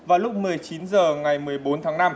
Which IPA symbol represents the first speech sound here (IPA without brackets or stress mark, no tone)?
v